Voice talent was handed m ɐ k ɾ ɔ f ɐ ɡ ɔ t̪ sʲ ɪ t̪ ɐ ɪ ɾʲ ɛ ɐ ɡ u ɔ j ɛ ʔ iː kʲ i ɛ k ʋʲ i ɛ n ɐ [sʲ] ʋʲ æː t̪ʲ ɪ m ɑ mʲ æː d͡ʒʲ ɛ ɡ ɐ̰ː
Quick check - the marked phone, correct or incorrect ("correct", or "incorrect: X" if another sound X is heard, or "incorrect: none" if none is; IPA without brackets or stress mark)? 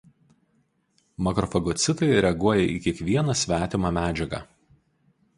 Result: correct